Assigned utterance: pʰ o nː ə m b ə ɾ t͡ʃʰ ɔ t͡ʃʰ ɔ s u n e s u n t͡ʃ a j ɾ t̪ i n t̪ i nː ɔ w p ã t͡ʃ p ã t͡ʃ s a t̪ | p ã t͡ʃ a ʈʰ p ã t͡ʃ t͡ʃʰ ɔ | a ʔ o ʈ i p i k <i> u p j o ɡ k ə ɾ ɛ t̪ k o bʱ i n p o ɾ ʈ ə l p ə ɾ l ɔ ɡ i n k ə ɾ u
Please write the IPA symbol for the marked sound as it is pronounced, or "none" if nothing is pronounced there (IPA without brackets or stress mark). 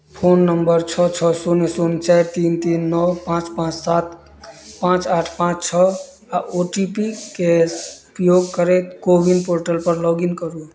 e